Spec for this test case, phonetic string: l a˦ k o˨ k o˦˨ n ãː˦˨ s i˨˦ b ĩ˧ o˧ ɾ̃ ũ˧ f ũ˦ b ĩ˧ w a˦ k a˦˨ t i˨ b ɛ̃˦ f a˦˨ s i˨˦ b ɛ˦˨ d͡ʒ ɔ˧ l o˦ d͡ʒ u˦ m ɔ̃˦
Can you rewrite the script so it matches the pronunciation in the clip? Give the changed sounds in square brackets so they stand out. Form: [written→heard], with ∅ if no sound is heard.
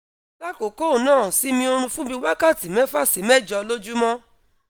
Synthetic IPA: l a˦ k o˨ k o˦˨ n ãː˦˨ s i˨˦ [b→m] ĩ˧ o˧ ɾ̃ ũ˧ f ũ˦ b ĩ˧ w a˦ k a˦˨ t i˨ [b→m] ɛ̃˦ f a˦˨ s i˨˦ [b→m] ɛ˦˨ d͡ʒ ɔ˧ l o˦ d͡ʒ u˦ m ɔ̃˦